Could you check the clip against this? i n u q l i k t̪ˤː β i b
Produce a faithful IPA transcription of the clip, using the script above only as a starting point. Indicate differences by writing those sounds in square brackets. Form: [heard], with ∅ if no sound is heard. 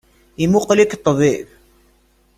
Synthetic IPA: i [m] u q l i k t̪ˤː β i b